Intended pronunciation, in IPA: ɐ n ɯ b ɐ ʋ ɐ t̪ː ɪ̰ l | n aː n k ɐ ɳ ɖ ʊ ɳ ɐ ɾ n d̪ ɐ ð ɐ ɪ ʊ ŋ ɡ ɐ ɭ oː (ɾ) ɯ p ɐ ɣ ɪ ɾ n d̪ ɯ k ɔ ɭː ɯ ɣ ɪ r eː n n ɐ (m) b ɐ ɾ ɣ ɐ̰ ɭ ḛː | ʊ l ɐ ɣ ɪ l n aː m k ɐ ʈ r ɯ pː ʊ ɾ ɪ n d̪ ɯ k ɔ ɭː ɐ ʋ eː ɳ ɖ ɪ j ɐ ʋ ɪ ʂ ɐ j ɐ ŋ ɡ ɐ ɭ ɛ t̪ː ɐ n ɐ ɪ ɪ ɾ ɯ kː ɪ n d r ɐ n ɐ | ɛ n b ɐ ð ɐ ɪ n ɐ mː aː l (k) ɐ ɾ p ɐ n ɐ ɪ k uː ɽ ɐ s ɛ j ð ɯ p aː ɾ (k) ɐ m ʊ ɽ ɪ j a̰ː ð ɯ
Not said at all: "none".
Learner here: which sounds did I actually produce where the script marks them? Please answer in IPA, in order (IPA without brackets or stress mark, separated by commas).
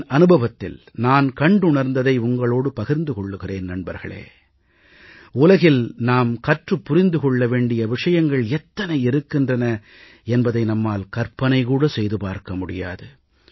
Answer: ɽ, ɳ, k, k